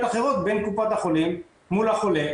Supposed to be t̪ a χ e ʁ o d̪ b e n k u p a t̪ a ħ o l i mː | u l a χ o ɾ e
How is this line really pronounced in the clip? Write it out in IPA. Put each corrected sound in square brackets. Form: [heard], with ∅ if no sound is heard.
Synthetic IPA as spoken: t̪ a χ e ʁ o [t̪] b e n k u p a t̪ a [χ] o l i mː | u l a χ o [l] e